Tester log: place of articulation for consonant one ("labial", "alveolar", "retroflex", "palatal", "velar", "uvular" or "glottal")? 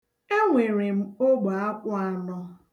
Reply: velar